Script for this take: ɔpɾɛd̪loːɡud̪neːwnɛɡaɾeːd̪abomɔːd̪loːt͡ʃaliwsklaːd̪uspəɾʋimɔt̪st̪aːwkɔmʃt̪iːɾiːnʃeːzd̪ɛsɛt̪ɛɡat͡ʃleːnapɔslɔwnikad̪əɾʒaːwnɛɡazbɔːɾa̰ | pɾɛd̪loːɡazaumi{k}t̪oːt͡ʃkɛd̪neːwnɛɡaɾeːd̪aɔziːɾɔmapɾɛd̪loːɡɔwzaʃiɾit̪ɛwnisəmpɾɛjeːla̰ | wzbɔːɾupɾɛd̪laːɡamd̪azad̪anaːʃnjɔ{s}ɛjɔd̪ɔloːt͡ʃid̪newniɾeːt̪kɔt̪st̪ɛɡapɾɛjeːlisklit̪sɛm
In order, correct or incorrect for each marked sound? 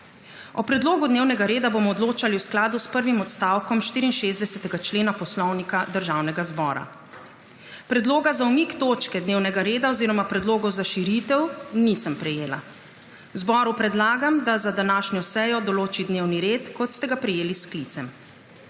correct, correct

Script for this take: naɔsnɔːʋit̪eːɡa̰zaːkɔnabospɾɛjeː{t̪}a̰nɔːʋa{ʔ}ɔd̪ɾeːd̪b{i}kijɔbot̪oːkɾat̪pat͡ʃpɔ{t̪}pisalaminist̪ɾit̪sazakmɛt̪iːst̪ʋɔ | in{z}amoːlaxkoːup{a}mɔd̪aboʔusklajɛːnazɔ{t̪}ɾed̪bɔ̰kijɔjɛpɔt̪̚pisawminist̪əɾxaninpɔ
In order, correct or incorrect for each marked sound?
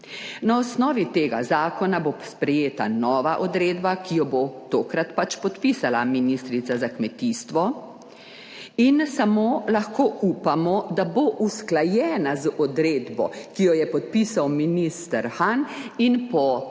correct, correct, incorrect, correct, incorrect, correct, incorrect

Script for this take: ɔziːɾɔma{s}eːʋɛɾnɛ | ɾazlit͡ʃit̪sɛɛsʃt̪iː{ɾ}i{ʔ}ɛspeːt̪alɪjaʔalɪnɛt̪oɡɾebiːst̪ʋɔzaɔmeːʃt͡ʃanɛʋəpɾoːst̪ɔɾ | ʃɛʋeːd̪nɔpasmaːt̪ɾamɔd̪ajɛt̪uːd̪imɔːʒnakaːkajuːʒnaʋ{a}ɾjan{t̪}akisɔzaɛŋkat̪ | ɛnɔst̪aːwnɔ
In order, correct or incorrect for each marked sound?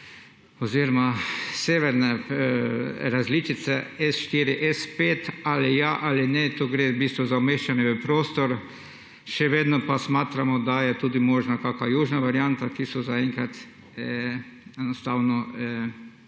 correct, correct, correct, correct, correct

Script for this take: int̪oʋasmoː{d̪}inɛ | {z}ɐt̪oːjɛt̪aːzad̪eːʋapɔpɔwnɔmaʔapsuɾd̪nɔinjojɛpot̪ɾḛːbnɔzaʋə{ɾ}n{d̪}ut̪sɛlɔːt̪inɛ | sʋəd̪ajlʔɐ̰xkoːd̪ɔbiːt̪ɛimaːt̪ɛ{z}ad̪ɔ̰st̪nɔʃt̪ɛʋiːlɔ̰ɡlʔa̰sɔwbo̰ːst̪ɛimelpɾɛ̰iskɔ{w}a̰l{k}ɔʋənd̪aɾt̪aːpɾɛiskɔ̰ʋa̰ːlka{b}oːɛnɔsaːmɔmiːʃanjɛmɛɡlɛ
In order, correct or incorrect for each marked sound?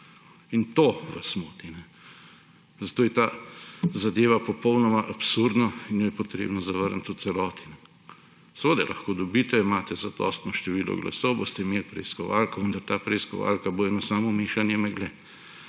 incorrect, correct, correct, incorrect, correct, incorrect, correct, correct

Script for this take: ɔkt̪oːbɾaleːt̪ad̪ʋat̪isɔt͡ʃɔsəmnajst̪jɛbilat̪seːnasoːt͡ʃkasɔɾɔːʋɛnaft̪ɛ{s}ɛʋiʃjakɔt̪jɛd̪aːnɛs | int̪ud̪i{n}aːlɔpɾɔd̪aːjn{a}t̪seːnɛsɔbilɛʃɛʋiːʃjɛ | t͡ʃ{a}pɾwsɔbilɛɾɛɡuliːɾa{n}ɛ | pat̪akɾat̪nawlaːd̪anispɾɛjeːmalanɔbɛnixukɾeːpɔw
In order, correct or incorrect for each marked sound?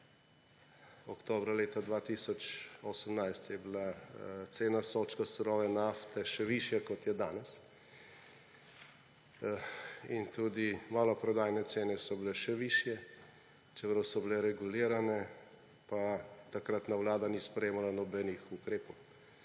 incorrect, incorrect, incorrect, incorrect, correct

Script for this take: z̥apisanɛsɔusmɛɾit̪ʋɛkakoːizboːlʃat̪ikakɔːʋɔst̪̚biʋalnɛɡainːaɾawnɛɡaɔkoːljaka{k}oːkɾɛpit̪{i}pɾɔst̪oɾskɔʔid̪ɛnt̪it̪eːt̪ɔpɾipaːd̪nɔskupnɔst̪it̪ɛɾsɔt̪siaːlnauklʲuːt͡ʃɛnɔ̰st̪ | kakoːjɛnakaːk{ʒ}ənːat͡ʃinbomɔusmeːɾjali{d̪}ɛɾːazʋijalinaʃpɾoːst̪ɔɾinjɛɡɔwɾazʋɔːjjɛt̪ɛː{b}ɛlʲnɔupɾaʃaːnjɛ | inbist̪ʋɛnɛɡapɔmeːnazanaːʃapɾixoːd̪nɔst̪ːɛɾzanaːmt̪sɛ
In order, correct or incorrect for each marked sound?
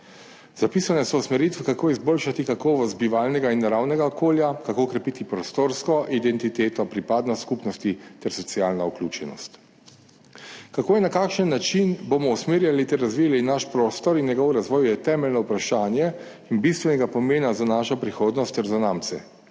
correct, correct, incorrect, incorrect, incorrect

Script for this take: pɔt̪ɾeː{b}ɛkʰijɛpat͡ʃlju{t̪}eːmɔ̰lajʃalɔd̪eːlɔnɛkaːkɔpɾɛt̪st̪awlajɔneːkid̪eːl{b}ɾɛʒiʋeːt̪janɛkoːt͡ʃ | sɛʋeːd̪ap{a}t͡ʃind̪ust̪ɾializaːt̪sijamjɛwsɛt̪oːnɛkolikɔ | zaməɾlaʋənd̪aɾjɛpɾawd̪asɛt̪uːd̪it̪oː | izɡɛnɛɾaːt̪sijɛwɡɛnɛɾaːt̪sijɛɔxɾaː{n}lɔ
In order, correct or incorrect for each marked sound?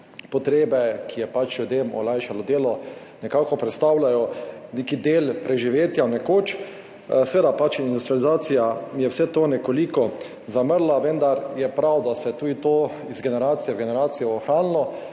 correct, incorrect, incorrect, correct, correct

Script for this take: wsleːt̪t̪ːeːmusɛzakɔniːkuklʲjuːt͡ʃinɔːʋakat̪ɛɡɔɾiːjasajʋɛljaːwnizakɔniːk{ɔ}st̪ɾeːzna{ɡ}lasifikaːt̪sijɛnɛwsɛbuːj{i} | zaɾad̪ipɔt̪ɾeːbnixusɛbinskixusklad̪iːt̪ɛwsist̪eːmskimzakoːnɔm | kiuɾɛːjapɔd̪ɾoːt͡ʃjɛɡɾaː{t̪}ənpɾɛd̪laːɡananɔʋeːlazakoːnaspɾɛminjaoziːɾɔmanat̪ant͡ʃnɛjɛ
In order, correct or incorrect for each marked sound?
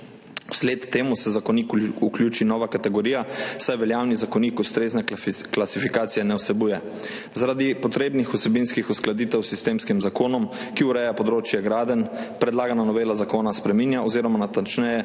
incorrect, incorrect, incorrect, incorrect

